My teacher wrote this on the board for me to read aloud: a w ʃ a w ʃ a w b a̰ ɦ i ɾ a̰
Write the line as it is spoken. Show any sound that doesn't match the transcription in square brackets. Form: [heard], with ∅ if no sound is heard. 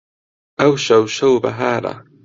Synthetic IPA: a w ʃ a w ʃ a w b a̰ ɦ [a] ɾ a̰